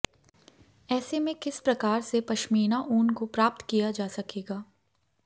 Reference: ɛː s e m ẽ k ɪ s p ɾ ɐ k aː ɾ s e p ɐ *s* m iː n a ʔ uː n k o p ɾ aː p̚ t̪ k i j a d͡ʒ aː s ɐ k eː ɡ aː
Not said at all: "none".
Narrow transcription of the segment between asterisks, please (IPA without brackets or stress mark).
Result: ʃ